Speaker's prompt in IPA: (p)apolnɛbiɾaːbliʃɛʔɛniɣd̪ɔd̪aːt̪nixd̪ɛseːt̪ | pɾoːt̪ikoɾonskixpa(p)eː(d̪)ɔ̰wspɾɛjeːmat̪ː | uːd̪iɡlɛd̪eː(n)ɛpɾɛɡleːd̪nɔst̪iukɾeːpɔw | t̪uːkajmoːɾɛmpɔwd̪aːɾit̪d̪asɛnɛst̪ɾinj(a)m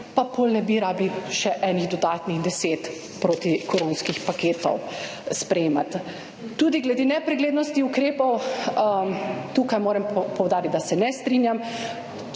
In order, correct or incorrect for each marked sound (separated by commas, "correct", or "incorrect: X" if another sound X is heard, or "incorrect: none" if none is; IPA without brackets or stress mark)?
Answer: correct, incorrect: k, incorrect: t̪, correct, correct